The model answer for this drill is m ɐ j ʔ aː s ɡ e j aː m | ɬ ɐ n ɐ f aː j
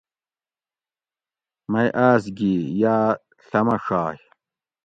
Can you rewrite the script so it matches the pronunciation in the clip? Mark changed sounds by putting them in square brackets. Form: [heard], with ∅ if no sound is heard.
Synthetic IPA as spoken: m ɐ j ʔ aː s ɡ [i] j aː [∅] | ɬ ɐ [m] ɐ [ʂ] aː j